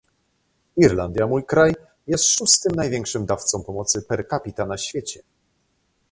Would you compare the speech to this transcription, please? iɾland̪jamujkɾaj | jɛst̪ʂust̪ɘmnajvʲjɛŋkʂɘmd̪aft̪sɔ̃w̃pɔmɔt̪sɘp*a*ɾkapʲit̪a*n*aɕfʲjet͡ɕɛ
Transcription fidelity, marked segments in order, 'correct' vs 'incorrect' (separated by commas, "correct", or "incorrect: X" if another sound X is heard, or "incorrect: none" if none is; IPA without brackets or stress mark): incorrect: ɛ, correct